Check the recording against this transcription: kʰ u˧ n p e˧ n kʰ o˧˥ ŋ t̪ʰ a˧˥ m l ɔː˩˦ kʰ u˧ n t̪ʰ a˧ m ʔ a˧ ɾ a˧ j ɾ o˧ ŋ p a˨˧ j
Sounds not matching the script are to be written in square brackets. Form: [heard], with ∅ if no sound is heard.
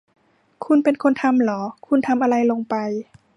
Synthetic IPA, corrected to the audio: kʰ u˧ n p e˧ n kʰ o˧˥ [n] t̪ʰ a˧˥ m l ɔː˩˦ kʰ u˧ n t̪ʰ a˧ m ʔ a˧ ɾ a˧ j [l] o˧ ŋ p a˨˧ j